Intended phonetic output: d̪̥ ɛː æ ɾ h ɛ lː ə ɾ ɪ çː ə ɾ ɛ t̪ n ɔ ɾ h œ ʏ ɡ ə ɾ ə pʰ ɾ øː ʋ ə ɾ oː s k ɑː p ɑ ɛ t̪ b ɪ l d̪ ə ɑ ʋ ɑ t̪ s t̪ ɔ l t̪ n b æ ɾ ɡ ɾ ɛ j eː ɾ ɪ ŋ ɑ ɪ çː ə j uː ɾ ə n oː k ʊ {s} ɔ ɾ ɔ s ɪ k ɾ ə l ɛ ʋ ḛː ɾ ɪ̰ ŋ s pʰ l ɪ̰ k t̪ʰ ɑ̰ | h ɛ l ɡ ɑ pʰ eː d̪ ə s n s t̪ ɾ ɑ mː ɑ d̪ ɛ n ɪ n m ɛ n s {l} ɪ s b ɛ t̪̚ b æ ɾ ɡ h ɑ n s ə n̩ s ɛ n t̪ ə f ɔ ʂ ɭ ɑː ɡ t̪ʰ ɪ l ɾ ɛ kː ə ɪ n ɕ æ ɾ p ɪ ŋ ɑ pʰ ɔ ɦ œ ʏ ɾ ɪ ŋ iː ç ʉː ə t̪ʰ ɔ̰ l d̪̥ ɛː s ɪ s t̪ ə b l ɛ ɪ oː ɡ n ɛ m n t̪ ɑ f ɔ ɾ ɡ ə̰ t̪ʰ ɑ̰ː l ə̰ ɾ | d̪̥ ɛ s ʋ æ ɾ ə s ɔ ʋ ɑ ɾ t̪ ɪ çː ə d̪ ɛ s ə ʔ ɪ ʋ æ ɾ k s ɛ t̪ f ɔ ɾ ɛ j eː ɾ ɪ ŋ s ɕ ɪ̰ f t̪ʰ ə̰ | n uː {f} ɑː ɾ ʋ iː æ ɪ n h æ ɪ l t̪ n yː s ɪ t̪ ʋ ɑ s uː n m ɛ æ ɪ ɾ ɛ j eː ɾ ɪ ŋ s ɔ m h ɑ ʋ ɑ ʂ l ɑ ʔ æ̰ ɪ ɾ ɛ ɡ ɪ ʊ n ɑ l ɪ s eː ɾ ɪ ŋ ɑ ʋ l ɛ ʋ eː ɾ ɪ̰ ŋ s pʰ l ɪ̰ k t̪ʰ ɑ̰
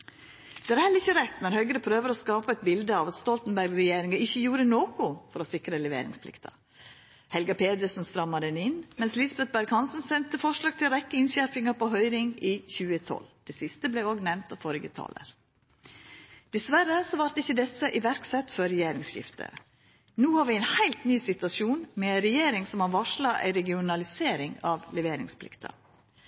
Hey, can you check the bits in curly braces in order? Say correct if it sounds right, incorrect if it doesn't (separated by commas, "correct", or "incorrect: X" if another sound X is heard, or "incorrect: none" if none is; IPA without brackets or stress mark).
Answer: incorrect: f, correct, incorrect: h